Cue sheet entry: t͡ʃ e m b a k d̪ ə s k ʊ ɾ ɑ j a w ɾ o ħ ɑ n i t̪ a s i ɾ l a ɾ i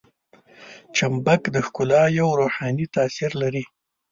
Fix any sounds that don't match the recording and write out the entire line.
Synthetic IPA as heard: t͡ʃ a m b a k d̪ ə x k ʊ l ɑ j a w ɾ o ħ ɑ n i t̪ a s i ɾ l a ɾ i